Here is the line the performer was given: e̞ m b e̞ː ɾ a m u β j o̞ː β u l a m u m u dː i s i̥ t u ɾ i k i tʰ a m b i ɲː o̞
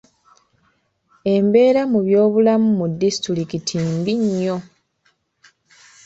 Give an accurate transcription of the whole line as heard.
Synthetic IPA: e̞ m b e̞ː ɾ a m u β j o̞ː β u l a m u m u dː i s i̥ t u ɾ i k i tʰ i m b i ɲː o̞

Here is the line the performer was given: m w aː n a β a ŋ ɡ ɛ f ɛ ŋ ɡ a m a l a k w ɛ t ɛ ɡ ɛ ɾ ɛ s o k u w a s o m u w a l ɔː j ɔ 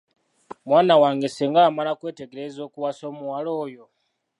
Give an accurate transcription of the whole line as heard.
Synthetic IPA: m w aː n a w a ŋ ɡ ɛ s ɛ ŋ ɡ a m a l a k w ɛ t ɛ ɡ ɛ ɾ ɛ z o k u w a s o m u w a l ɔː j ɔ

